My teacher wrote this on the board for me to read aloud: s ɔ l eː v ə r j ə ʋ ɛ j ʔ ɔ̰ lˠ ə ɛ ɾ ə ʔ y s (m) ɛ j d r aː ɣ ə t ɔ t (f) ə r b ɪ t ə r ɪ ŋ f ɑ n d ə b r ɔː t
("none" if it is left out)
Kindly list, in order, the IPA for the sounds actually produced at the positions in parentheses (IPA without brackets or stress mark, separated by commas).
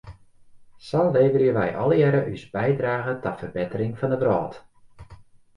b, f